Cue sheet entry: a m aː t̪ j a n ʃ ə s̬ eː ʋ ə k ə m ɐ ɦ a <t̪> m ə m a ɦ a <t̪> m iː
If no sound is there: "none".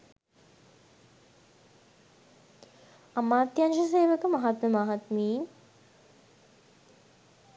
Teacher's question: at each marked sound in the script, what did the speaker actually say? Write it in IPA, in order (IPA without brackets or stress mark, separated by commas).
t̪, t̪